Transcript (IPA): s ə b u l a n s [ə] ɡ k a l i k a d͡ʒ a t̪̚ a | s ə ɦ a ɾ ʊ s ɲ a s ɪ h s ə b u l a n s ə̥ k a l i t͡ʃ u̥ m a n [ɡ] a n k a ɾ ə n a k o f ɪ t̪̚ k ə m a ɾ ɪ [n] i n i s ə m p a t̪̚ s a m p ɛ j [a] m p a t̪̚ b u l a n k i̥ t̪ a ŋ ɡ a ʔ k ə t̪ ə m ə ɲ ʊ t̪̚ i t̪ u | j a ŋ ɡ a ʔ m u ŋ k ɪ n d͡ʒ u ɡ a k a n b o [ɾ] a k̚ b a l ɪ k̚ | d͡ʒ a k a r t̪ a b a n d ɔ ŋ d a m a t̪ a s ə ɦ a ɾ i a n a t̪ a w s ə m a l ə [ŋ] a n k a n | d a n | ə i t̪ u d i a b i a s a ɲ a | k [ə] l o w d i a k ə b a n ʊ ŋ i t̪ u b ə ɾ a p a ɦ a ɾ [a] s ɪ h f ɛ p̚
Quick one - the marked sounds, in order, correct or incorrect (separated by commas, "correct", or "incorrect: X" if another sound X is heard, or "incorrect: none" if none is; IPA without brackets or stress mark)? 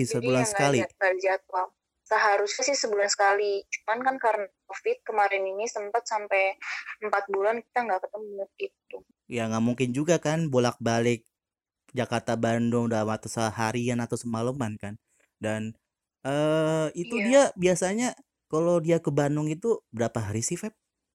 correct, incorrect: k, correct, incorrect: ə, incorrect: l, incorrect: m, incorrect: a, incorrect: i